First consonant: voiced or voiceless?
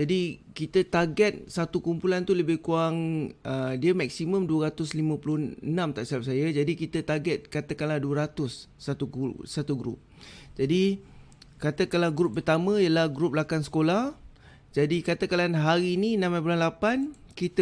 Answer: voiced